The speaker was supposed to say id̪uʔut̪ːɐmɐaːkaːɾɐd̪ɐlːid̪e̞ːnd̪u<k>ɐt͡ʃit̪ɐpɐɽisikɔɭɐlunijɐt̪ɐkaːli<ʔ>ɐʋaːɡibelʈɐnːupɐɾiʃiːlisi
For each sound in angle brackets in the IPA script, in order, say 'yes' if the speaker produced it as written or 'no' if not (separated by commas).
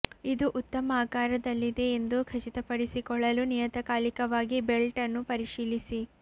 no, no